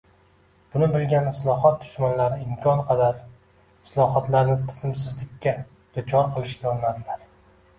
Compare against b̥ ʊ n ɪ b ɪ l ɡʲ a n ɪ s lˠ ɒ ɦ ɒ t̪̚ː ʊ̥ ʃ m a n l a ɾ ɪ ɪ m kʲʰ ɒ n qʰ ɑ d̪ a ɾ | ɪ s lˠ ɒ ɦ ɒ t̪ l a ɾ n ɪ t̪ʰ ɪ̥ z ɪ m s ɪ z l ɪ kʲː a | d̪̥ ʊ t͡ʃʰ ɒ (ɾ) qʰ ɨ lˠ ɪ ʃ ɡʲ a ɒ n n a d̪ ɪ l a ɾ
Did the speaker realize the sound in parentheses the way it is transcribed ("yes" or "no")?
yes